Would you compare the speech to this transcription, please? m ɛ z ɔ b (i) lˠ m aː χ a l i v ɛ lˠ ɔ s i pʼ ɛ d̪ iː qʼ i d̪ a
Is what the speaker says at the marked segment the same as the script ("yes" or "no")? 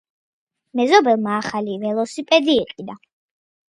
no